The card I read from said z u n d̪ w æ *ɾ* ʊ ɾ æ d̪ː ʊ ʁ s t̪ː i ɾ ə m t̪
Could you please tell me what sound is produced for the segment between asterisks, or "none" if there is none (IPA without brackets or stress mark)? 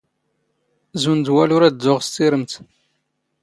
l